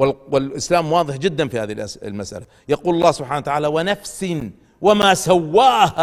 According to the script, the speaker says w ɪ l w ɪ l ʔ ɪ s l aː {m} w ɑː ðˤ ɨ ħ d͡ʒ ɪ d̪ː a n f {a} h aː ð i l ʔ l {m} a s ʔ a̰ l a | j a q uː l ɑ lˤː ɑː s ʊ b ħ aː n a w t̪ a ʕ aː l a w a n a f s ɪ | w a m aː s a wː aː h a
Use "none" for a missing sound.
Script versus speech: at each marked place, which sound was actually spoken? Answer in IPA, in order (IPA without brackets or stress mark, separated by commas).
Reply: m, i, m